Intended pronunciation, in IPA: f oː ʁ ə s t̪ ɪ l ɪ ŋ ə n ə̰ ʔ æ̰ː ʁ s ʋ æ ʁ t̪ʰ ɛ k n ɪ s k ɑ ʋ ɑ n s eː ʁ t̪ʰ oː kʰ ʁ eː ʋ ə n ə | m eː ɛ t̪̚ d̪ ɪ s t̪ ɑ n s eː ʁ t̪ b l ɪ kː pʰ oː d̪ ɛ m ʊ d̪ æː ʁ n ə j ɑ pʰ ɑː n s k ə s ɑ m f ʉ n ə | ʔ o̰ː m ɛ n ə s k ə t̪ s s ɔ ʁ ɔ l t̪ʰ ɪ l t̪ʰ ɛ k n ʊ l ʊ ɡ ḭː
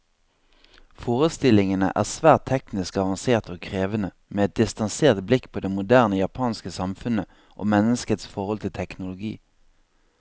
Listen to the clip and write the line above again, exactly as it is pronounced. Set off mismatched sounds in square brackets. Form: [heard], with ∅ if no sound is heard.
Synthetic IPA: f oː ʁ ə s t̪ ɪ l ɪ ŋ ə n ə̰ ʔ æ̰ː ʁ s ʋ [æː] ʁ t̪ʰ ɛ k n ɪ s k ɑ ʋ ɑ n s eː ʁ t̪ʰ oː kʰ ʁ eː ʋ ə n ə | m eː ɛ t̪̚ d̪ ɪ s t̪ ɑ n s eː ʁ t̪ b l ɪ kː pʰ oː d̪ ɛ m ʊ d̪ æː ʁ n ə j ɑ pʰ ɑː n s k ə s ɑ m f ʉ n ə | ʔ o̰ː m ɛ n ə s k ə t̪ s [f] ɔ ʁ ɔ l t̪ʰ ɪ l t̪ʰ ɛ k n ʊ l ʊ ɡ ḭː